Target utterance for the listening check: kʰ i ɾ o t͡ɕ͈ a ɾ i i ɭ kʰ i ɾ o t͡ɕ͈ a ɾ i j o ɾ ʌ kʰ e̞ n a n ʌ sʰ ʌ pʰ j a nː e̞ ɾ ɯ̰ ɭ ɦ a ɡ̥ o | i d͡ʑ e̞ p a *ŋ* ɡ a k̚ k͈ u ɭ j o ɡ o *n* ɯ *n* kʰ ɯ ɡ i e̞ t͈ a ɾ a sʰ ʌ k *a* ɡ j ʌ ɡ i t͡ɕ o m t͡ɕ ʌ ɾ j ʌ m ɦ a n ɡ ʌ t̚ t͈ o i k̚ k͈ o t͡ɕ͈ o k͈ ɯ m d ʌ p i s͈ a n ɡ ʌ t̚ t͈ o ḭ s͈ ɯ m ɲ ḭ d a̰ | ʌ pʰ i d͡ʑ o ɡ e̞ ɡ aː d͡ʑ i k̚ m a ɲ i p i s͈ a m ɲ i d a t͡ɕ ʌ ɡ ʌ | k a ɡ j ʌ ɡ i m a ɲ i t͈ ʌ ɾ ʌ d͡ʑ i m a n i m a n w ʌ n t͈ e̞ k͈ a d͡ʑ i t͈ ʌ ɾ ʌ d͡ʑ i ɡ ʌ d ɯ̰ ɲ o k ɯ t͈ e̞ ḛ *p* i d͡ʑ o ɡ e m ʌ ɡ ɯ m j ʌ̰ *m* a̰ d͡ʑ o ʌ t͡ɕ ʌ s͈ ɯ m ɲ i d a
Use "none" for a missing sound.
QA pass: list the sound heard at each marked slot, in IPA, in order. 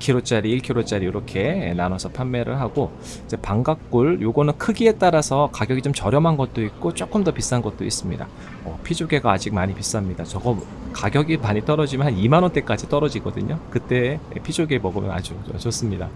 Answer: ŋ, n, n, a, pʰ, n

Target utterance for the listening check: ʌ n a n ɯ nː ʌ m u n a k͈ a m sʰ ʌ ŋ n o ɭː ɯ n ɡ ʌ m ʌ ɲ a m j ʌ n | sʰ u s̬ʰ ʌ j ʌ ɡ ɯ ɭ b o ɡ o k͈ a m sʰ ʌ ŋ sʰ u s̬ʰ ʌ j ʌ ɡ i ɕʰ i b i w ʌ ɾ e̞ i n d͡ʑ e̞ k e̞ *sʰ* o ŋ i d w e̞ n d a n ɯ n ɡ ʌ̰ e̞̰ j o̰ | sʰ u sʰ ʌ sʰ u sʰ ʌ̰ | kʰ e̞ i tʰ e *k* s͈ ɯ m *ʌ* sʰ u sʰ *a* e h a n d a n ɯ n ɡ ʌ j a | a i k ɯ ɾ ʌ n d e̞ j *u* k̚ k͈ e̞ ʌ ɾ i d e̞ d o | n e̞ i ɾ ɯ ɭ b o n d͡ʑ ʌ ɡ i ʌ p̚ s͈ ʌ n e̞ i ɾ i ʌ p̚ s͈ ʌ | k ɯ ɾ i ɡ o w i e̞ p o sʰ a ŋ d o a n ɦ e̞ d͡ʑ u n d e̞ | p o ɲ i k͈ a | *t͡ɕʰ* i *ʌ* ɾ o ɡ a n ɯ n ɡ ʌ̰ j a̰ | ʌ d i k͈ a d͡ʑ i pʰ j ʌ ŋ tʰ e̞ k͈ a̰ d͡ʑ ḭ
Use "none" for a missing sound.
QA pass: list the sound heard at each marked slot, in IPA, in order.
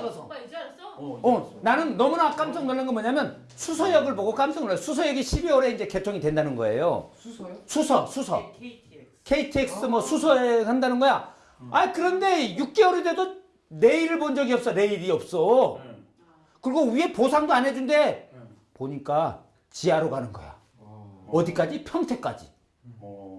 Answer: tʰ, k, ʌ, ʌ, u, t͡ɕ, a

